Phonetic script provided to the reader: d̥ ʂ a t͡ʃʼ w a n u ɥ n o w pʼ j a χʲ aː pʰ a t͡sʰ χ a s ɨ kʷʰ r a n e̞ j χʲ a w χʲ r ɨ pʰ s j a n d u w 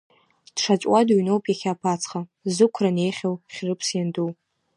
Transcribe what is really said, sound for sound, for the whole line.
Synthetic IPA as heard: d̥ ʂ a t͡ʃʼ w a d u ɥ n o w pʼ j a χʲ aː pʰ a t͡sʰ χ a z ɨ kʷʰ r a n e̞ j χʲ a w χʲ r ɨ pʰ s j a n d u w